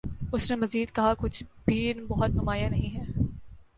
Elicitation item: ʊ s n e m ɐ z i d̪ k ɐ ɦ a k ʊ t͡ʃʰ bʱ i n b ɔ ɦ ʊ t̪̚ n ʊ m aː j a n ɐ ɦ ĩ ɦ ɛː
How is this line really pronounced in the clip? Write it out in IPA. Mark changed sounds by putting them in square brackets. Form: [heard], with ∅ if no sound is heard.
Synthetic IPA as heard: ʊ s n e m ɐ z [iː] d̪ k ɐ ɦ a k ʊ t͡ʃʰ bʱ i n b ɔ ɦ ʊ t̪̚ n ʊ m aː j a n ɐ ɦ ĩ ɦ ɛː